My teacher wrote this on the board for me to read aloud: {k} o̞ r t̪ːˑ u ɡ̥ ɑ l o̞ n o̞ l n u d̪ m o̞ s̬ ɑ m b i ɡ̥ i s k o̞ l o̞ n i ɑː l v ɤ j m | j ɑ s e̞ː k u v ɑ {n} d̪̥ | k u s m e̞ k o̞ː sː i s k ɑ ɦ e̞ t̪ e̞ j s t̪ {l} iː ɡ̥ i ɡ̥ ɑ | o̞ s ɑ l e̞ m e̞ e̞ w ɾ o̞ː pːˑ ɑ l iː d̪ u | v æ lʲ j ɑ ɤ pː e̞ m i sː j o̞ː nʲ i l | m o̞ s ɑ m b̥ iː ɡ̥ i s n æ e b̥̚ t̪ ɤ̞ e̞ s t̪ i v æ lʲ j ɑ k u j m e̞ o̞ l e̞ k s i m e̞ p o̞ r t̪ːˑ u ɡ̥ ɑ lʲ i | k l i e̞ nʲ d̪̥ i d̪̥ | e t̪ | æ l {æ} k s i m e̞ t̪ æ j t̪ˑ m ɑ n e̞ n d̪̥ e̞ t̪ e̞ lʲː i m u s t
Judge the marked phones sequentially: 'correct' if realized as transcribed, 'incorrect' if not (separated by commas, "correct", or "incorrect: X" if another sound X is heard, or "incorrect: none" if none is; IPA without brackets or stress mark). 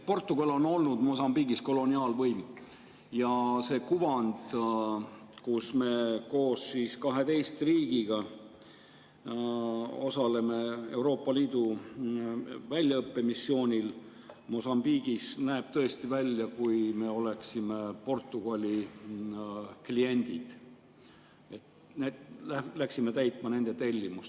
incorrect: p, correct, incorrect: r, correct